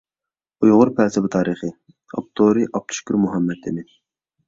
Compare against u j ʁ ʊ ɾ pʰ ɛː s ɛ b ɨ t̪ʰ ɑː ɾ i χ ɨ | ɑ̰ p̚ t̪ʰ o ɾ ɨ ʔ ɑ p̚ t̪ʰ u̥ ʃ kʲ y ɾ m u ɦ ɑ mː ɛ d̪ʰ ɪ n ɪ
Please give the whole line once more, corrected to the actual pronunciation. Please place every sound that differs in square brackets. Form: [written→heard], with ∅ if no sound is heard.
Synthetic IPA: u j ʁ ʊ ɾ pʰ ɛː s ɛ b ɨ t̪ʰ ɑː ɾ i χ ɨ | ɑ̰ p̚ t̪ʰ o ɾ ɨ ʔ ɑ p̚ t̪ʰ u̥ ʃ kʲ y ɾ m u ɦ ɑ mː ɛ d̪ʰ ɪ n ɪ